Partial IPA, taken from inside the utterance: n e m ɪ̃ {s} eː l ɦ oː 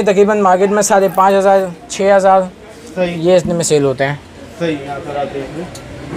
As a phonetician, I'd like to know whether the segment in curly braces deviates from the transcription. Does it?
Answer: no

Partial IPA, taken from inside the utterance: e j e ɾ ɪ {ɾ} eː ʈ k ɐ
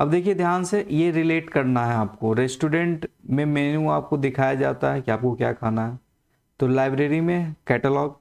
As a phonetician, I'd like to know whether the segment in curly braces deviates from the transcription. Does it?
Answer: yes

